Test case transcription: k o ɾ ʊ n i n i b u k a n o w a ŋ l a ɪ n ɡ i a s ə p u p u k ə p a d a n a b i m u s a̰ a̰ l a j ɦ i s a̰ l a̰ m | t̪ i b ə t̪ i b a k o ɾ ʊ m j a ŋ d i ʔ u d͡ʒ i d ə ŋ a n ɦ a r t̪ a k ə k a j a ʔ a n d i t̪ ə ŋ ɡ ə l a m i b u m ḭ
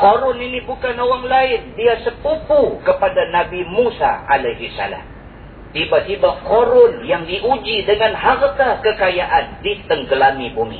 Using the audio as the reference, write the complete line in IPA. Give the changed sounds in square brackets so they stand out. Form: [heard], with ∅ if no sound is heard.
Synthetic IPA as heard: k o ɾ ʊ n i n i b u k a n o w a ŋ l a ɪ n [d] i a s ə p u p u k ə p a d a n a b i m u s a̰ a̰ l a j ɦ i s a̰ l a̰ m | t̪ i b [a] t̪ i b a k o ɾ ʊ [n] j a ŋ d i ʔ u d͡ʒ i d ə ŋ a n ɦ a r t̪ a k ə k a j a ʔ a n d i t̪ ə ŋ ɡ ə l a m i b u m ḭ